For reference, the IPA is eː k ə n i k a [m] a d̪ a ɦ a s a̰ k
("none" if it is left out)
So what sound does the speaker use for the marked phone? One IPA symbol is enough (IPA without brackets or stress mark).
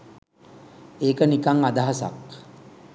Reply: ŋ